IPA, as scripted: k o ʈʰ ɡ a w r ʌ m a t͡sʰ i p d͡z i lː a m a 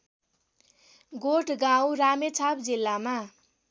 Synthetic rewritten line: ɡ o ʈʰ ɡ a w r a m e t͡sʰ a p d͡z i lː a m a